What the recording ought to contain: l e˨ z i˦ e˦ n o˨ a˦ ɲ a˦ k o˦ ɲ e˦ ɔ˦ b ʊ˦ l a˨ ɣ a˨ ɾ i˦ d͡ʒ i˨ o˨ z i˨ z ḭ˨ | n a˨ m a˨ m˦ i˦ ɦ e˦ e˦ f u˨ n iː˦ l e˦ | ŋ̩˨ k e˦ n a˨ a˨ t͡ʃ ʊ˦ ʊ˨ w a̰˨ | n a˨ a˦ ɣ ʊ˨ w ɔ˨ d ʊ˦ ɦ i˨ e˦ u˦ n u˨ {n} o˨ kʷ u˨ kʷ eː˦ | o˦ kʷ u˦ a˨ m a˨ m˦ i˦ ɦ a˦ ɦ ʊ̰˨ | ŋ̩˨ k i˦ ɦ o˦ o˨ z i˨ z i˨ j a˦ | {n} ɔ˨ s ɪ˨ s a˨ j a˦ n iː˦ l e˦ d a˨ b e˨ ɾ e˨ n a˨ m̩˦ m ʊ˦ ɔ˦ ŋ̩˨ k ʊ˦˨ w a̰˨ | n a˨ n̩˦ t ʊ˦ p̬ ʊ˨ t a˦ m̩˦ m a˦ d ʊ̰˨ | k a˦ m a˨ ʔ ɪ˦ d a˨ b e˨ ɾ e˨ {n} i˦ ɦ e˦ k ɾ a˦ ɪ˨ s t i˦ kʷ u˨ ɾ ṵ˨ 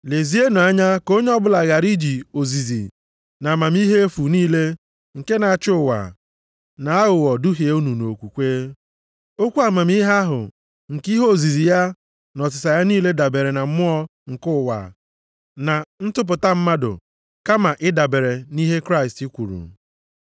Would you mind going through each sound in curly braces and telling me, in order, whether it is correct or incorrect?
correct, correct, correct

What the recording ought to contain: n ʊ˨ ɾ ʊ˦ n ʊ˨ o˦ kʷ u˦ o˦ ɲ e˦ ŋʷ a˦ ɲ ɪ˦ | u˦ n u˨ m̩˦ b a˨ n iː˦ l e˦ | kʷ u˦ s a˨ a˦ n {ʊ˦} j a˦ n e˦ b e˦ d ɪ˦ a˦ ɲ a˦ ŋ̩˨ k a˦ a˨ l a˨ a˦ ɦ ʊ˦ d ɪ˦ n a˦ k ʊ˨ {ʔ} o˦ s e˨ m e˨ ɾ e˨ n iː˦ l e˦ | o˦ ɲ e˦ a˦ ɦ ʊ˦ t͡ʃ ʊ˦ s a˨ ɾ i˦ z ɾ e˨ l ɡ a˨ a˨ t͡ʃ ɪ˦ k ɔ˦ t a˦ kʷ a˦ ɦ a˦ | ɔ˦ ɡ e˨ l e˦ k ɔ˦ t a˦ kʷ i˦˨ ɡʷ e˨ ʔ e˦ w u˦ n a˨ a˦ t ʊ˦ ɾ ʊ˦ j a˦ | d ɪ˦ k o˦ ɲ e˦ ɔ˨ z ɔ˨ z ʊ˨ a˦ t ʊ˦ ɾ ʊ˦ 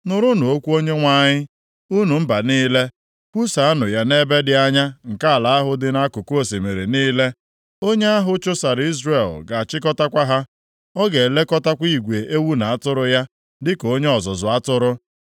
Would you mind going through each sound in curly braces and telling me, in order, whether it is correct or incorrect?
incorrect: ʊ˨, incorrect: k

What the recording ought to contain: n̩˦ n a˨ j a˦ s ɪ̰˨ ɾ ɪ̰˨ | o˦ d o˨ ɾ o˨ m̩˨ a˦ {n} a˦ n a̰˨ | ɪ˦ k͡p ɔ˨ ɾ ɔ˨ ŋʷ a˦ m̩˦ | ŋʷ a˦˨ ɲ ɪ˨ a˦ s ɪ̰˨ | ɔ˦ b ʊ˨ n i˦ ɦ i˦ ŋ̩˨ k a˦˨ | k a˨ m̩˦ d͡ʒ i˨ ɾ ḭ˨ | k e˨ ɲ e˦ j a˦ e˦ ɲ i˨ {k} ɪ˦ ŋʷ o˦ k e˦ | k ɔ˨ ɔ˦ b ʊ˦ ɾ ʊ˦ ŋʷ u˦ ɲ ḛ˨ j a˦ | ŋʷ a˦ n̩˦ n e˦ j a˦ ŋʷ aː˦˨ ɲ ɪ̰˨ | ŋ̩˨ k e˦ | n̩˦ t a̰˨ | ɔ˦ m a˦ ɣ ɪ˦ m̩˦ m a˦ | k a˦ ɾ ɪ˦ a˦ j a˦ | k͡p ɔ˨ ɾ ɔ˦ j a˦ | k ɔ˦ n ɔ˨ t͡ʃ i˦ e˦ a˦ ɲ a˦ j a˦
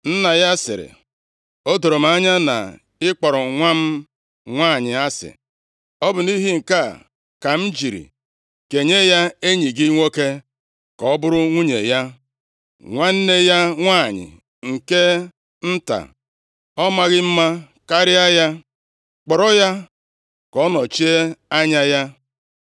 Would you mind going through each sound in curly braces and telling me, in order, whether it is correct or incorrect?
incorrect: ɲ, incorrect: ɡ

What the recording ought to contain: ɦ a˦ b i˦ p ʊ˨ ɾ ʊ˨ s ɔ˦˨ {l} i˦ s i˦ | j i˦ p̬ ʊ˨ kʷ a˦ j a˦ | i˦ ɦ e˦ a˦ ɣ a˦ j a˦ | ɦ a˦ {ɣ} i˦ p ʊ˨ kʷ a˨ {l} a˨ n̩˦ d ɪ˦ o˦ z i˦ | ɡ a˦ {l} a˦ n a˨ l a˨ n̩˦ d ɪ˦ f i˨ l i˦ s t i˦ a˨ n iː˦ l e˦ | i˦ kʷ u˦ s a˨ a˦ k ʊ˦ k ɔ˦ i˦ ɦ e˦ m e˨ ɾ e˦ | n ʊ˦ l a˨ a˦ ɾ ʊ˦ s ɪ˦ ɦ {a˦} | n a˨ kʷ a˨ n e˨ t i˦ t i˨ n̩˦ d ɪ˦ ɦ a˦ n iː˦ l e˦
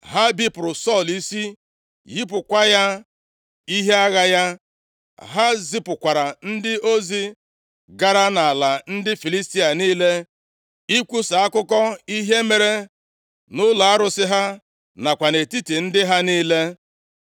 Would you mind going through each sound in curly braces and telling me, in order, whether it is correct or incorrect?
correct, incorrect: z, incorrect: ɾ, incorrect: ɾ, correct

